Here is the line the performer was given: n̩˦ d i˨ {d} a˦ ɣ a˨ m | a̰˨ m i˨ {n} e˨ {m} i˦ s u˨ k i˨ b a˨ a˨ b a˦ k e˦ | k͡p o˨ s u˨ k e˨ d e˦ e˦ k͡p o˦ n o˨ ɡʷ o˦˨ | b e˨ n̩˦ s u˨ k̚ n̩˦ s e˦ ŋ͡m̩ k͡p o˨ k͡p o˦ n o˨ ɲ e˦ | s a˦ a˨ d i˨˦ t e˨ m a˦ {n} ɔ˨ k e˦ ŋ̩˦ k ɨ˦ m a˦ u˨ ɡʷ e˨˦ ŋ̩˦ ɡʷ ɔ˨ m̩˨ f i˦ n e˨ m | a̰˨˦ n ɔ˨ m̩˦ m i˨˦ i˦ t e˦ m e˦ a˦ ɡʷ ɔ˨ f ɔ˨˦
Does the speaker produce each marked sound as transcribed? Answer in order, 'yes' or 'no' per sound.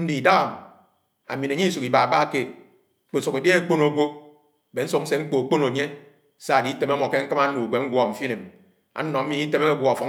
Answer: yes, yes, no, no

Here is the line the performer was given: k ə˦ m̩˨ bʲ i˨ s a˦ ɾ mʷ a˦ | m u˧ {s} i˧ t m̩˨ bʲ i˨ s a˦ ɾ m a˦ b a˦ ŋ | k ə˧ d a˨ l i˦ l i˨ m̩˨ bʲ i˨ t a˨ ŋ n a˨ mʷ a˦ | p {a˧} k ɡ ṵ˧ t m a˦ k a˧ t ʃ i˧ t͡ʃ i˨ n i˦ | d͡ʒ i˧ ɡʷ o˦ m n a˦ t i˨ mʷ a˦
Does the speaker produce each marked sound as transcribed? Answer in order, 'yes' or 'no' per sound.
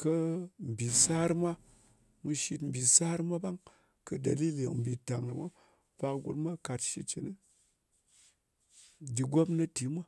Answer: no, yes

